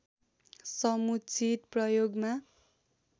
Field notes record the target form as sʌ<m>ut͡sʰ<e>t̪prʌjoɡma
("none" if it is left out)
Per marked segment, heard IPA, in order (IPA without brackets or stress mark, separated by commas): m, i